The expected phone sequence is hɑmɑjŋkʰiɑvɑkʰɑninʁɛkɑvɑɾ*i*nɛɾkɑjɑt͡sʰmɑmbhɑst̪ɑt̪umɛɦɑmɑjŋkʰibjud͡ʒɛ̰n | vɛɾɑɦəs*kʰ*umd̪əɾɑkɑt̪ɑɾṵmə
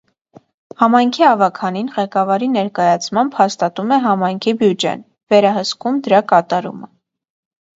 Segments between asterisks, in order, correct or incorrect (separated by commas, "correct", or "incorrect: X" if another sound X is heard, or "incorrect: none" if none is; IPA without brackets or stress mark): correct, incorrect: k